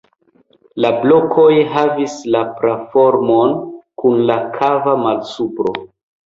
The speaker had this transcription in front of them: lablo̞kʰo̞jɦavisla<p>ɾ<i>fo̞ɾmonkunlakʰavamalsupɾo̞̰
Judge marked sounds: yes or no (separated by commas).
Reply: yes, no